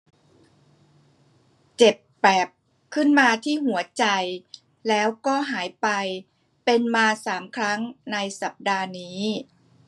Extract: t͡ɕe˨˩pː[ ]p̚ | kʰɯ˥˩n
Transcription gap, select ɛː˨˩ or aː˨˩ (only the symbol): ɛː˨˩